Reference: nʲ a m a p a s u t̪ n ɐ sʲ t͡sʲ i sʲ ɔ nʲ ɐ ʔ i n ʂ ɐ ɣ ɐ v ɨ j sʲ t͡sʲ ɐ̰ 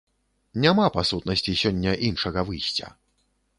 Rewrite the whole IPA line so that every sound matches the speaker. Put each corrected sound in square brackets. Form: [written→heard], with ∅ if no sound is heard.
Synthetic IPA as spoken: nʲ a m a p a s u t̪ n ɐ sʲ t͡sʲ i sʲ ɔ [nʲ→nʲː] ɐ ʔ i n ʂ ɐ ɣ ɐ v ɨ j sʲ t͡sʲ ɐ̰